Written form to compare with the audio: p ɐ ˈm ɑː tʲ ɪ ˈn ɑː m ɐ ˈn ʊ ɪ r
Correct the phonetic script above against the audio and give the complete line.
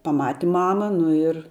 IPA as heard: p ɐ ˈm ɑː tʲ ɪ ˈm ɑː m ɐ ˈn ʊ ɪ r